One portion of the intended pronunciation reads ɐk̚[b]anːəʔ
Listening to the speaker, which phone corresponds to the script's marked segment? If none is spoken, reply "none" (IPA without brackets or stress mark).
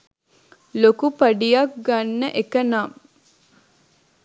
ɡ